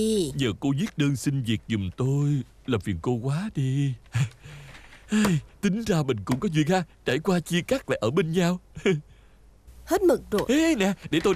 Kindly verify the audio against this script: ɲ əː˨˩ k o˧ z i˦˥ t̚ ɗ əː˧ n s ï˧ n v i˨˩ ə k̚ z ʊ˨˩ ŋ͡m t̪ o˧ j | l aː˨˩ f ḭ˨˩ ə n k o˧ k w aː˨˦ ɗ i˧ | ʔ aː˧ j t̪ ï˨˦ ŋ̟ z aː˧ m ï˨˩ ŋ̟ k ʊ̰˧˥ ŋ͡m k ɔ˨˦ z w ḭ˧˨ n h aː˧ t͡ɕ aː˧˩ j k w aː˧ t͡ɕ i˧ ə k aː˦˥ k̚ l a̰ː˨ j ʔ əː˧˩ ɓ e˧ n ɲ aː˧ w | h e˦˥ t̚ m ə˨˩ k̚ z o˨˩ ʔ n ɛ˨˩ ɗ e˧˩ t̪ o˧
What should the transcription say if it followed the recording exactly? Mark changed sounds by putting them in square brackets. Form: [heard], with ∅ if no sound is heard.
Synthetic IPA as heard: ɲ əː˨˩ k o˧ z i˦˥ t̚ ɗ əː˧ n s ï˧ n v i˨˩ ə k̚ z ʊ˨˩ ŋ͡m t̪ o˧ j | l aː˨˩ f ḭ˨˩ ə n k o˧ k w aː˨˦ ɗ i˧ | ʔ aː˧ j t̪ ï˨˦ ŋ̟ z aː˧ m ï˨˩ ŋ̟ k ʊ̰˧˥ ŋ͡m k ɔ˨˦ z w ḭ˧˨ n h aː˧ t͡ɕ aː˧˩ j k w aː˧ t͡ɕ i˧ ə k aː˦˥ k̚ l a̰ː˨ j ʔ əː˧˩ ɓ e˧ n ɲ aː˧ w | h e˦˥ t̚ m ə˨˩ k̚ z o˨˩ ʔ n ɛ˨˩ ɗ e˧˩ t̪ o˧